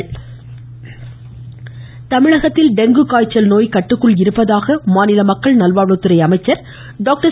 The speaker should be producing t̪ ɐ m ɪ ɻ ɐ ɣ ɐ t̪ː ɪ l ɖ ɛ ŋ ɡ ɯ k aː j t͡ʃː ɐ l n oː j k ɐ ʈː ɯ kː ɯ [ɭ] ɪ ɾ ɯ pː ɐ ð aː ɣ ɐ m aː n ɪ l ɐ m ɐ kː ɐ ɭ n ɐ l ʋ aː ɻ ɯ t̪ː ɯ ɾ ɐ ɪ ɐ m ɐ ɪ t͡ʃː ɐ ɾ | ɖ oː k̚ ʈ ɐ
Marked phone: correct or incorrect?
correct